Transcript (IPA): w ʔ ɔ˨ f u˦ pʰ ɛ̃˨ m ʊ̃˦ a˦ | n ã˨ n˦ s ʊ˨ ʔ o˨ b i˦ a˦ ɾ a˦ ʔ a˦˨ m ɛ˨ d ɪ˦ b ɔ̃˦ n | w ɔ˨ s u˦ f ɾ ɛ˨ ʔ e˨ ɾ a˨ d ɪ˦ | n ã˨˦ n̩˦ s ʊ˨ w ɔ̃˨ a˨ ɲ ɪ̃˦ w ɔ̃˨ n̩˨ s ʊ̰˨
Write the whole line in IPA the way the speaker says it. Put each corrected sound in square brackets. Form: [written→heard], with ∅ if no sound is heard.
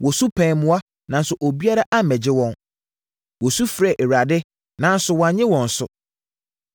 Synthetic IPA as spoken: w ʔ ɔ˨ [f→s] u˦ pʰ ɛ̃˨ m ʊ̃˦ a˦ | n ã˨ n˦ s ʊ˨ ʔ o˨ b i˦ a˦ ɾ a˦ ʔ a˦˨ m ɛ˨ [d→d͡ʑ] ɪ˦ [b→w] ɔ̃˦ n | w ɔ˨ s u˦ f ɾ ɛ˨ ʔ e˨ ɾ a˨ d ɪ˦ | n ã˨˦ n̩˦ s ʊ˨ w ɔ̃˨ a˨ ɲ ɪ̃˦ w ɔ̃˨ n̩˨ s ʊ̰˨

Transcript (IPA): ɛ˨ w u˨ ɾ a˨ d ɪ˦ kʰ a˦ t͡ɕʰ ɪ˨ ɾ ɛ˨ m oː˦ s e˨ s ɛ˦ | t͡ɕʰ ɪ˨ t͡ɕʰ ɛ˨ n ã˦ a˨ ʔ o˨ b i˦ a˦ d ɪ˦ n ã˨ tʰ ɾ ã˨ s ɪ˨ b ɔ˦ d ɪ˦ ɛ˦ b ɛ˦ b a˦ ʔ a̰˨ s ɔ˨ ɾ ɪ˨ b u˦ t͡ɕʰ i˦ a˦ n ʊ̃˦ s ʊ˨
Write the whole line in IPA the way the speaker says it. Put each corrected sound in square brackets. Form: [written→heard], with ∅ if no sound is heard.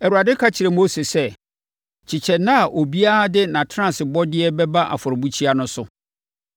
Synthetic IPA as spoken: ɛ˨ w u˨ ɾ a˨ d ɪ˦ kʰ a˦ t͡ɕʰ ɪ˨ ɾ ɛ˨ m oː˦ s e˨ s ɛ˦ | t͡ɕʰ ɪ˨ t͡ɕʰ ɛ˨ n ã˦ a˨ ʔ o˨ b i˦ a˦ d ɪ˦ n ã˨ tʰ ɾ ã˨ s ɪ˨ b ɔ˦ d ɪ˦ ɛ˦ b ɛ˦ b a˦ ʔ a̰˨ [s→f] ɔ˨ ɾ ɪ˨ b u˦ t͡ɕʰ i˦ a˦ n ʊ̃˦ s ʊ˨

